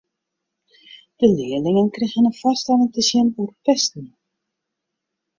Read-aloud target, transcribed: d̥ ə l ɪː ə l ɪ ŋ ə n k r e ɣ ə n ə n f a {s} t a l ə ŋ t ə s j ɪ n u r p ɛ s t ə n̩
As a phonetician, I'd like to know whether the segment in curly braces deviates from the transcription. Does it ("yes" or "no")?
no